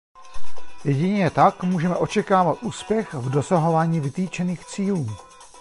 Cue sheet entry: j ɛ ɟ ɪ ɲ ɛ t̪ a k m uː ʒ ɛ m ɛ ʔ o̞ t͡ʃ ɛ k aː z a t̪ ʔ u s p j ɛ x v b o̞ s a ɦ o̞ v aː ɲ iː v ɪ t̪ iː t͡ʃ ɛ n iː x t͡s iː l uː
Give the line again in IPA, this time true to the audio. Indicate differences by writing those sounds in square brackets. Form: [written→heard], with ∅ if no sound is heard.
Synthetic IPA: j ɛ ɟ ɪ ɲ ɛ t̪ a k m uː ʒ ɛ m ɛ ʔ o̞ t͡ʃ ɛ k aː [z→v] a t̪ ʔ [u→uː] s p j ɛ x v [b→d] o̞ s a ɦ o̞ v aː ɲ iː v ɪ t̪ iː t͡ʃ ɛ n iː x t͡s iː l uː